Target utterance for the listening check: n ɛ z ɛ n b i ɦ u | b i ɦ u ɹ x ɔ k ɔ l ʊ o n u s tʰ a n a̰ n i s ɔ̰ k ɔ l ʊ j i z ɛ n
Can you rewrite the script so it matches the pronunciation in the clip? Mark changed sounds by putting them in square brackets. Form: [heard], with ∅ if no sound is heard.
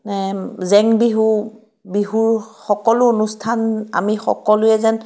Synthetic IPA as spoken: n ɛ z ɛ [ŋ] b i ɦ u | b i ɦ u ɹ x ɔ k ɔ l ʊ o n u s tʰ a n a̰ [m] i [x] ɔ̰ k ɔ l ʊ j [ɛ] z ɛ n